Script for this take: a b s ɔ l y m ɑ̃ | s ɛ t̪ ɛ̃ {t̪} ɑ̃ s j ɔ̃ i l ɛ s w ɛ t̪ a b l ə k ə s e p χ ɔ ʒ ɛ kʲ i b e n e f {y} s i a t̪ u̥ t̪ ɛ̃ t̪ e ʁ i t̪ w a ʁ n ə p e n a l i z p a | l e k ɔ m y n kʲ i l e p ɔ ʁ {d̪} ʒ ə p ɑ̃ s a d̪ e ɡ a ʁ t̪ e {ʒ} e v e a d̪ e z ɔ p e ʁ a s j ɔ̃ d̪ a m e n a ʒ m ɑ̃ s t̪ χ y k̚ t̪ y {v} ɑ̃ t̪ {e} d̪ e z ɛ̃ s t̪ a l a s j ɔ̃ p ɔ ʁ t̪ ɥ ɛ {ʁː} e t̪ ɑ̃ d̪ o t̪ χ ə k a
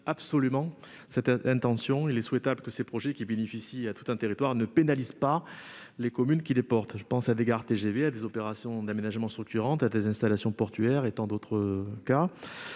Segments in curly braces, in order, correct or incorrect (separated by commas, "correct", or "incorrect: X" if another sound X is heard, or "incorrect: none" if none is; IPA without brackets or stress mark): correct, incorrect: i, incorrect: t̪, correct, incorrect: ʁ, incorrect: a, incorrect: ʁ